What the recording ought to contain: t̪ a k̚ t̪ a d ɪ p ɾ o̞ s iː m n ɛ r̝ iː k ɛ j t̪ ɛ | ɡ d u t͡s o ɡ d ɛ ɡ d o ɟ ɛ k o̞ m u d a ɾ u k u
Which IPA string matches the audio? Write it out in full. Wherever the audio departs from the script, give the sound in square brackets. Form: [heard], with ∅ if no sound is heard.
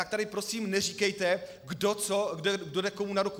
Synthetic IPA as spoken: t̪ a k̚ t̪ a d ɪ p ɾ o̞ s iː m n ɛ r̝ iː k ɛ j t̪ ɛ | ɡ d [o] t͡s o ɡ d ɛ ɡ d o [d] ɛ k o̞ m u [n] a ɾ u k u